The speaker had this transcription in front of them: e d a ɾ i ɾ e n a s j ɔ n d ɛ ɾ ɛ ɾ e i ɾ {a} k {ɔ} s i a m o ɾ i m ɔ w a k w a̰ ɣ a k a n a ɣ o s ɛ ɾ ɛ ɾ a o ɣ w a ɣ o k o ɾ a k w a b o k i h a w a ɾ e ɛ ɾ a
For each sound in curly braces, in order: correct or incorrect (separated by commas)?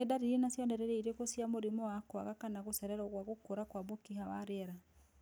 incorrect, incorrect